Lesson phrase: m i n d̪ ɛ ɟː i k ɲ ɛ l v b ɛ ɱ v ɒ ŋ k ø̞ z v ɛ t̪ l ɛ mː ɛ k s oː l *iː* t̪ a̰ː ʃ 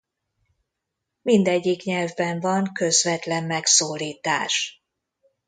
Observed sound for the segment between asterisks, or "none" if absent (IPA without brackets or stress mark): iː